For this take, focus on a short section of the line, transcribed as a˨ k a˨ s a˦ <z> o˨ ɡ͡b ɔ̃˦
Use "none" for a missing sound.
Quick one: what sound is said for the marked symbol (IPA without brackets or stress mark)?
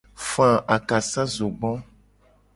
z